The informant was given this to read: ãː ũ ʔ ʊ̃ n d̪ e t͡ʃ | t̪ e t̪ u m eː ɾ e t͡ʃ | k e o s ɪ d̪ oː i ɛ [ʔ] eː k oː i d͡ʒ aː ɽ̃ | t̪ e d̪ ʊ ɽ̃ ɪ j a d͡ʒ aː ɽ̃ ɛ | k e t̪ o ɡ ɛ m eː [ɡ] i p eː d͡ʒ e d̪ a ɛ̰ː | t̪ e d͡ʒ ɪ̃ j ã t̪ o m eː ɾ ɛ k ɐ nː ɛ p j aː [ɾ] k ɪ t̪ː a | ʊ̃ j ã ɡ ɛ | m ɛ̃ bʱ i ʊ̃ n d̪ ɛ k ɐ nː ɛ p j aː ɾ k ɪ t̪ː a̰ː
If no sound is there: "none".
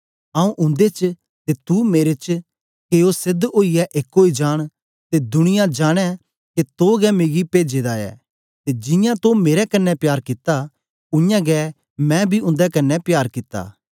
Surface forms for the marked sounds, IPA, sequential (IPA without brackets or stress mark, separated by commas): ʔ, ɡ, ɾ